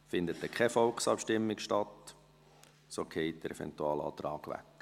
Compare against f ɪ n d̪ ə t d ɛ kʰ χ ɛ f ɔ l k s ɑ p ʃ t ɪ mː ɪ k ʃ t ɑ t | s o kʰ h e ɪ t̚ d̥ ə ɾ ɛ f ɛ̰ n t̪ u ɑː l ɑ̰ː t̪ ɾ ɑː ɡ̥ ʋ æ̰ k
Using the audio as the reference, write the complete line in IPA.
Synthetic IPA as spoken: f ɪ n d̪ ə t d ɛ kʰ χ ɛ f ɔ l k s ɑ p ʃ t ɪ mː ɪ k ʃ t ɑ t | s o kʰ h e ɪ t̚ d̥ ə ɾ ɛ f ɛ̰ n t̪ u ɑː l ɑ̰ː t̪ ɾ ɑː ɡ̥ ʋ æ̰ k